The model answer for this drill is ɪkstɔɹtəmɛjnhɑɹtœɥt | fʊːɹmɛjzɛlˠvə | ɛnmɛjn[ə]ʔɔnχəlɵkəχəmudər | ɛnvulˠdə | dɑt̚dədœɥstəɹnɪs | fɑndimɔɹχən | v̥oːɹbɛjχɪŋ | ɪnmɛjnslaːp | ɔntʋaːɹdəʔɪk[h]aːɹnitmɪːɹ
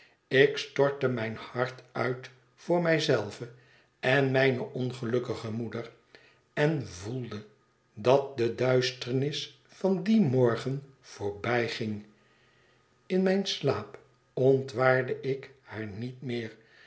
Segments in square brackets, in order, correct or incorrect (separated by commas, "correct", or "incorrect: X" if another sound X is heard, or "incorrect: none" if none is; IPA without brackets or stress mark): correct, correct